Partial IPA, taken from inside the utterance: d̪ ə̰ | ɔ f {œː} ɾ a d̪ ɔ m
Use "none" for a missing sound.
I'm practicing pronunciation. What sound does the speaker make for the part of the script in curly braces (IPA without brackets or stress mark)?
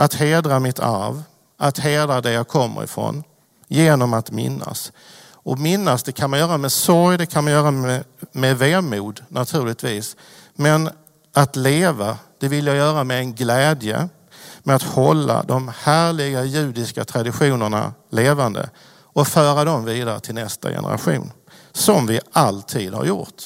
œː